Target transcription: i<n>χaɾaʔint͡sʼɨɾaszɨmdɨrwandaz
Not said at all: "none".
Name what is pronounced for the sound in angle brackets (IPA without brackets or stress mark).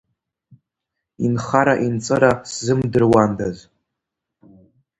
n